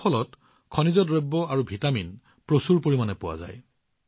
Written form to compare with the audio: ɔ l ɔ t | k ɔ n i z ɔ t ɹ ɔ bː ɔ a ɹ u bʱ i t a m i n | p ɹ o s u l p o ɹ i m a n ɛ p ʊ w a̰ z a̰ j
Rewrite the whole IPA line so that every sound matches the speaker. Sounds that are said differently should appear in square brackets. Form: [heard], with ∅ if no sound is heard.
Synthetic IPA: ɔ l ɔ t | [kʰ] ɔ n i z ɔ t ɹ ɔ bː ɔ a ɹ u bʱ i t a m i n | p ɹ o s u [ɹ] p o ɹ i m a n ɛ p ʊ w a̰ z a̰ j